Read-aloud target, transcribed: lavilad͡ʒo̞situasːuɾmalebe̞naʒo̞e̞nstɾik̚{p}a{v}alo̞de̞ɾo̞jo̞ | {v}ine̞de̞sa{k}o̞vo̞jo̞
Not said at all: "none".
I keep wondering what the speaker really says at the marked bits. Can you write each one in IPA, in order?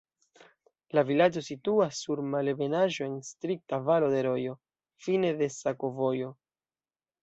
t, v, f, k

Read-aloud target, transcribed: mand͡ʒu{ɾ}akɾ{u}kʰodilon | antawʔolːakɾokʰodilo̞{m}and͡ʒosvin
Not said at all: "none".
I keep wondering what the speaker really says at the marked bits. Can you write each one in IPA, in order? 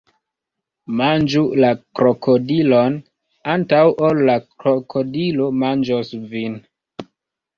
l, o, m

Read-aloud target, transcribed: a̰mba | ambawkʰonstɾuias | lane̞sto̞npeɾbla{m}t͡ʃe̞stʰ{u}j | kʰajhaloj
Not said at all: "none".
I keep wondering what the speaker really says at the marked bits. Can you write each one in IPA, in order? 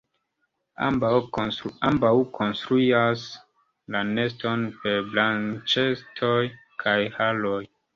n, o

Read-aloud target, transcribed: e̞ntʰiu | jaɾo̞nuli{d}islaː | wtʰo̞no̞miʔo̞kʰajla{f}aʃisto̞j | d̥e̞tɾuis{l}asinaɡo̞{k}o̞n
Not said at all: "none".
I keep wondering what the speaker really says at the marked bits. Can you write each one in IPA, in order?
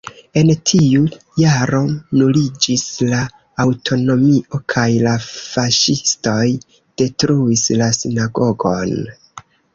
d͡ʒ, f, l, ɡ

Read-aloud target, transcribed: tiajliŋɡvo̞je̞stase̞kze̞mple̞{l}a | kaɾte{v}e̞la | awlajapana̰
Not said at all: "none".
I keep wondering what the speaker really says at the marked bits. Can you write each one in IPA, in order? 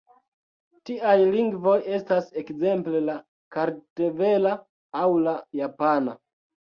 l, v

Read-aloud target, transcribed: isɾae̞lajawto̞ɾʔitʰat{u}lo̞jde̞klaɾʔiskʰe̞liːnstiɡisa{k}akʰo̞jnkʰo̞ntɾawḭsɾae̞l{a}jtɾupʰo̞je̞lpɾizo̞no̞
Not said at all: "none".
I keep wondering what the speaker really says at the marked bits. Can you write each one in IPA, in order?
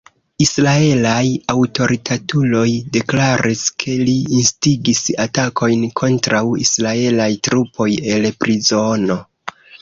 u, t, a

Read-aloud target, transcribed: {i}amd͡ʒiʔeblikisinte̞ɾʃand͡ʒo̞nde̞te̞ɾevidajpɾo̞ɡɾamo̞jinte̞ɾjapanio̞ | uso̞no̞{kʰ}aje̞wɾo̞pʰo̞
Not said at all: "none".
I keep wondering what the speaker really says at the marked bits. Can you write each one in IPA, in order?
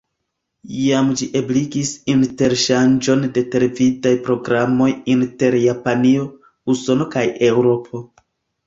j, k

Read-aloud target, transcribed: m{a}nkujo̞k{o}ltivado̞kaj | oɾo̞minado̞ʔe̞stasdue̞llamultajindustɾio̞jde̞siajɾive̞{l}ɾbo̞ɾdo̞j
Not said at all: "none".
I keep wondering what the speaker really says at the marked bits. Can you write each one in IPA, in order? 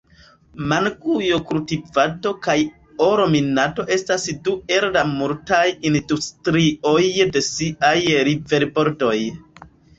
a, u, none

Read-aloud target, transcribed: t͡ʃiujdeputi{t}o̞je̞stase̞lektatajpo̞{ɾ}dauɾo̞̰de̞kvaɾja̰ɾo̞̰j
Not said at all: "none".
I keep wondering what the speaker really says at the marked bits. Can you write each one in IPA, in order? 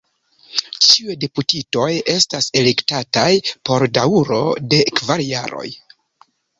t, ɾ

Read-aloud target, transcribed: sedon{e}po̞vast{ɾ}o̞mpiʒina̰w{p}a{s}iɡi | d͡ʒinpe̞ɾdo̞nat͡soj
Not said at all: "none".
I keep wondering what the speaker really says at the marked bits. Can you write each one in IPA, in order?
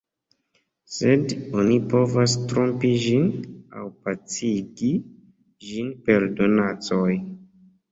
i, ɾ, p, t͡s

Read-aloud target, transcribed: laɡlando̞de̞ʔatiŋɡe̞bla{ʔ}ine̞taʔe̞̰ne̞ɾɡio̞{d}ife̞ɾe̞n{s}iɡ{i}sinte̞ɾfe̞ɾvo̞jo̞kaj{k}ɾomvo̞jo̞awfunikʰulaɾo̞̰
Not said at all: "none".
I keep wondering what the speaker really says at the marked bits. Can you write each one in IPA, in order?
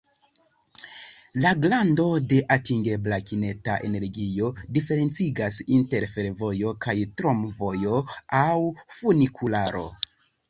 k, d, t͡s, a, t

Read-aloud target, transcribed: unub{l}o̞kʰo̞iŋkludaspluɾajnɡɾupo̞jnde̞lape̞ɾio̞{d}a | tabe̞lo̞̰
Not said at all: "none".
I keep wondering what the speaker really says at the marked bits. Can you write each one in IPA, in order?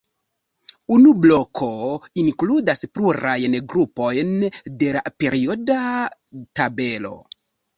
l, d

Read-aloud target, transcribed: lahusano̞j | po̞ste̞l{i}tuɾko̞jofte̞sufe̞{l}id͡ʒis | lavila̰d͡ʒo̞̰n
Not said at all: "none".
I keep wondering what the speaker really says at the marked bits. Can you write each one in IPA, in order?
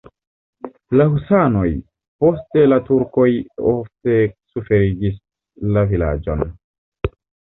a, ɾ

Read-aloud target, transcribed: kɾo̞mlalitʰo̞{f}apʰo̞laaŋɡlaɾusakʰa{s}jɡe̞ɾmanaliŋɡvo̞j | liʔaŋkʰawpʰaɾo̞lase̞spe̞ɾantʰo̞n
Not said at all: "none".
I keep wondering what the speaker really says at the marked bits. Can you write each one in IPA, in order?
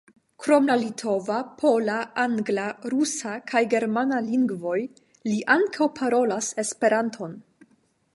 v, none

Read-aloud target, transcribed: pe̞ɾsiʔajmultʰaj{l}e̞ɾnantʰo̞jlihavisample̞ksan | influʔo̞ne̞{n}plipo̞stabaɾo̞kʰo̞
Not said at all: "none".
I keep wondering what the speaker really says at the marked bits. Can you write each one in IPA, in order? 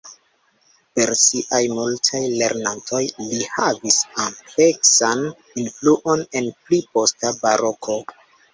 l, n

